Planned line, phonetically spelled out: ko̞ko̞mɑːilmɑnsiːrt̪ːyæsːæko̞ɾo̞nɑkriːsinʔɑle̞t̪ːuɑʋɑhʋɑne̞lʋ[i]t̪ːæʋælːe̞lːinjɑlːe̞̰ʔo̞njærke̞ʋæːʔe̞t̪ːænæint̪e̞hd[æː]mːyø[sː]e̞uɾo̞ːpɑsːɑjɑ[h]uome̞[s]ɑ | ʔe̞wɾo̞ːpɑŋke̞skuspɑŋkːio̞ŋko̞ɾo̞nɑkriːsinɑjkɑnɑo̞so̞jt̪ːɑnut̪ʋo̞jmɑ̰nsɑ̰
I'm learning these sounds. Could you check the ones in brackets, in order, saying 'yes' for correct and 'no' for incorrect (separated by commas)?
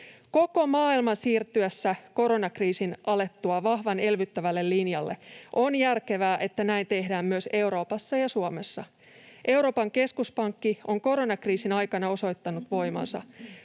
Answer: no, yes, no, no, no